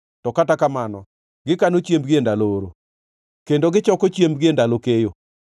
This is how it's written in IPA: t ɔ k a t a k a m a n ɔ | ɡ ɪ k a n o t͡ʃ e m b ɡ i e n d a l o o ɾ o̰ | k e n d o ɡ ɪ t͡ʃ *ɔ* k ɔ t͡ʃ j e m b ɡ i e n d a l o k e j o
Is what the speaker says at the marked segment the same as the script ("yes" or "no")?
yes